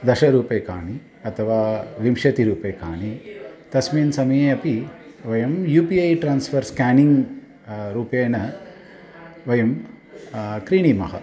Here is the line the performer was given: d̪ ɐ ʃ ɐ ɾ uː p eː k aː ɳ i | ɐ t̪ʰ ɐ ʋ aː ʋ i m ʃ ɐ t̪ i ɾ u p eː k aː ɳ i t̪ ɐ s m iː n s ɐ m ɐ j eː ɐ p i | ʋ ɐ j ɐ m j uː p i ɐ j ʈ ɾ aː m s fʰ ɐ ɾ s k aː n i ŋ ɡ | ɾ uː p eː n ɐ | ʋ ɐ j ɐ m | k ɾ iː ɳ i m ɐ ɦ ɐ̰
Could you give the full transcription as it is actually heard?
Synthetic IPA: d̪ ɐ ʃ ɐ ɾ uː p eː k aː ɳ i | ɐ t̪ʰ ɐ ʋ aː ʋ i m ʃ ɐ t̪ i ɾ uː p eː k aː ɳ i t̪ ɐ s m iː n s ɐ m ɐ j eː ɐ p i | ʋ ɐ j ɐ m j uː p i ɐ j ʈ ɾ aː n s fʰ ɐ ɾ s k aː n i ŋ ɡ | ɾ uː p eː n ɐ | ʋ ɐ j ɐ m | k ɾ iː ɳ i m ɐ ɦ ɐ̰